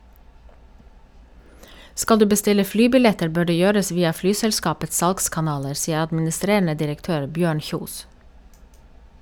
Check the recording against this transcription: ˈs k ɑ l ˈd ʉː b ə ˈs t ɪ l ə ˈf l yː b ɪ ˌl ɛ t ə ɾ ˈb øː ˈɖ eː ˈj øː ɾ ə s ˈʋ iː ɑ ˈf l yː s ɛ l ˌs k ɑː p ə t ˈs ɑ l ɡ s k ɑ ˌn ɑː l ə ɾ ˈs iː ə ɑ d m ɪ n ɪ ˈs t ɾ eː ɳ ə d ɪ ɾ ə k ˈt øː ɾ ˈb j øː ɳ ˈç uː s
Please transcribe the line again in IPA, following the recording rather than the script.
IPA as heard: ˈs k ɑ l ˈd ʉː b ə ˈs t ɪ l ə ˈf l yː b ɪ ˌl ɛ t ə ɾ ˈb øː ˈɖ eː ˈj øː ɾ ə s ˈʋ iː ɑ ˈf l yː s ɛ l ˌs k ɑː p ə t ˈs ɑ l ɡ s k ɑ ˌn ɑː l ə ɾ ˈs iː ə ɑ d m ɪ n ɪ ˈs t ɾ eː ɳ ə d ɪ ɾ ə k ˈt øː ɾ ˈb j øː ɳ ˈç uː s

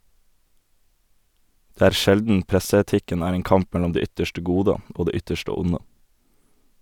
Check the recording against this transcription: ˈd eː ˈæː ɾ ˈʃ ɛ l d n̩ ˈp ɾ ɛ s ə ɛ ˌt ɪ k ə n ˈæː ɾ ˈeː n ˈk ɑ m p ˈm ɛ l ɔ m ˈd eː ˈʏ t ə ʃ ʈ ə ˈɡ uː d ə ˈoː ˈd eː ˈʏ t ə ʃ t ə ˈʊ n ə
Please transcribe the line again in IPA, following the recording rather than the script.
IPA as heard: ˈd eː ˈæː ɾ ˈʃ ɛ l d n̩ ˈp ɾ ɛ s ə ɛ ˌt ɪ k ə n ˈæː ɾ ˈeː n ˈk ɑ m p ˈm ɛ l ɔ m ˈd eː ˈʏ t ə ʃ ʈ ə ˈɡ uː d ə ˈoː ˈd eː ˈʏ t ə ʃ t ə ˈʊ n ə

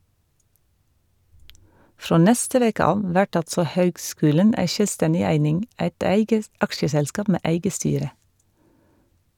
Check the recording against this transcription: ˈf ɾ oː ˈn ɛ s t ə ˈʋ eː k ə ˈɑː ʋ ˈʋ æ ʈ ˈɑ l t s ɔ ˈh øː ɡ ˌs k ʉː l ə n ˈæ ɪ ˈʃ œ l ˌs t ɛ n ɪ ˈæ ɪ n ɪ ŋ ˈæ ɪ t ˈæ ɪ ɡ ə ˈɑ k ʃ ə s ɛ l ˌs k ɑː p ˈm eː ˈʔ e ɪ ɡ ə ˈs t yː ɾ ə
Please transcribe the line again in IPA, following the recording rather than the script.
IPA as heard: ˈf ɾ oː ˈn ɛ s t ə ˈʋ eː k ə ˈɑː ʋ ˈʋ æ ʈ ˈɑ l t s ɔ ˈh øː ɡ ˌs k ʉː l ə n ˈæ ɪ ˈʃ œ l ˌs t ɛ n ɪ ˈæ ɪ n ɪ ŋ ˈæ ɪ t ˈæ ɪ ɡ ə ˈɑ k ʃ ə s ɛ l ˌs k ɑː p ˈm eː ˈʔ æ ɪ ɡ ə ˈs t yː ɾ ə

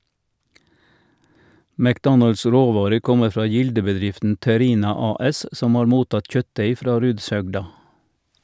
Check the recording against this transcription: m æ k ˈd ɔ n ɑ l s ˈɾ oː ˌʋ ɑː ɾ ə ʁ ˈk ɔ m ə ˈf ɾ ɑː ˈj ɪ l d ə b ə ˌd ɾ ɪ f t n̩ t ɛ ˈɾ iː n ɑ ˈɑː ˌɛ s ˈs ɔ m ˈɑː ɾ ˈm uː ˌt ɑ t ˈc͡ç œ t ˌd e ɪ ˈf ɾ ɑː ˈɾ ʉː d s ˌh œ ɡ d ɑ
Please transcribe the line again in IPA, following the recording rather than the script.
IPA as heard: m æ k ˈd ɔ n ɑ l s ˈɾ oː ˌʋ ɑː ɾ ə ʁ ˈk ɔ m ə ˈf ɾ ɑː ˈj ɪ l d ə b ə ˌd ɾ ɪ f t n̩ t ɛ ˈɾ iː n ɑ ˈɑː ˌɛ s ˈs ɔ m ˈɑː ɾ ˈm uː ˌt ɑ t ˈc͡ç œ t ˌd e ɪ ˈf ɾ ɑː ˈɾ ʉː d s ˌh œ ɡ d ɑ

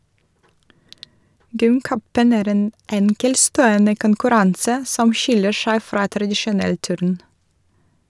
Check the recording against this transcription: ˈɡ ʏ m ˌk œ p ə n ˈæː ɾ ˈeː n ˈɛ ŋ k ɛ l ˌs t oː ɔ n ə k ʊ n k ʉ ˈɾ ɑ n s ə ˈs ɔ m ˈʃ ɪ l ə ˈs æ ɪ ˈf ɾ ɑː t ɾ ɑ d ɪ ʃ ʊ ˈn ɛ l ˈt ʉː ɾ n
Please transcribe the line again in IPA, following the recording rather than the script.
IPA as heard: ˈɡ ʏ m ˌk œ p ə n ˈæː ɾ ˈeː n ˈɛ ŋ k ɛ l ˌs t oː ɔ n ə k ʊ n k ʉ ˈɾ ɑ n s ə ˈs ɔ m ˈʃ ɪ l ə ˈʃ æ ɪ ˈf ɾ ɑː t ɾ ɑ d ɪ ʃ ʊ ˈn ɛ l ˈt ʉː ɾ n

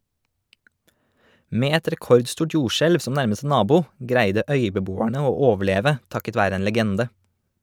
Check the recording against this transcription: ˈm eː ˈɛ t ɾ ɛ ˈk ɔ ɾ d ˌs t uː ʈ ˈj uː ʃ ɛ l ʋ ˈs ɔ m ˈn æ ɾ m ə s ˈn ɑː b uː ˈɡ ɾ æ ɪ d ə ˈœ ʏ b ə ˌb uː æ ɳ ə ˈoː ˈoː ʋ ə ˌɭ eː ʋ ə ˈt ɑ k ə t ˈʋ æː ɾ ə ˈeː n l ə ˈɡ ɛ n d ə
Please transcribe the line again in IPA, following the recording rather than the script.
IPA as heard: ˈm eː ˈɛ t ɾ ɛ ˈk ɔ ɾ d ˌs t uː ʈ ˈj uː ʃ ɛ l ʋ ˈs ɔ m ˈn æ ɾ m ə s ˈn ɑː b uː ˈɡ ɾ æ ɪ d ə ˈœ ʏ b ə ˌb uː æ ɳ ə ˈoː ˈoː ʋ ə ˌɭ eː ʋ ə ˈt ɑ k ə t ˈʋ æː ɾ ə ˈeː n l ə ˈɡ ɛ n d ə

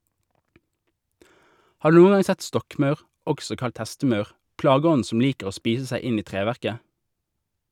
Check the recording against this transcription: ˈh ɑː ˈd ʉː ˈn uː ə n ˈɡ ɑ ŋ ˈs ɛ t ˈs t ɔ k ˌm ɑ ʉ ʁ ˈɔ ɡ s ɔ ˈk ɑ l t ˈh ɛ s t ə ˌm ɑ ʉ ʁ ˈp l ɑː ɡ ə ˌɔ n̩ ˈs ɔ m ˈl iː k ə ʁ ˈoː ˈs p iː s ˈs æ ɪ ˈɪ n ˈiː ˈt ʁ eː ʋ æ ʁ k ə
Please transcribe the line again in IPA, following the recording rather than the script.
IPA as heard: ˈh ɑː ˈd ʉː ˈn uː ə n ˈɡ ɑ ŋ ˈs ɛ t ˈs t ɔ k ˌm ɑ ʉ ʁ ˈɔ ɡ s ɔ ˈk ɑ l t ˈh ɛ s t ə ˌm ɑ ʉ ʁ ˈp l ɑː ɡ ə ˌɔ n̩ ˈs ɔ m ˈl iː k ə ʁ ˈoː ˈs p iː s ˈs æ ɪ ˈɪ n ˈiː ˈt ʁ eː ʋ æ ʁ k ə

